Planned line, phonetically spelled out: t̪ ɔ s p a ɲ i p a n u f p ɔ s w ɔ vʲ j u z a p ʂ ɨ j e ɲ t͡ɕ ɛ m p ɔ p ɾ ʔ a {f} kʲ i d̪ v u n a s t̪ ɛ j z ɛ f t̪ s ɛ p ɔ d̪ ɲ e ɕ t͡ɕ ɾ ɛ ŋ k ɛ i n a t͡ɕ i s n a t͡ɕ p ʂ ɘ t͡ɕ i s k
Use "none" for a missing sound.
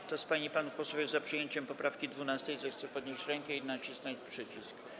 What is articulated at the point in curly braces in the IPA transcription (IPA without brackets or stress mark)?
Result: f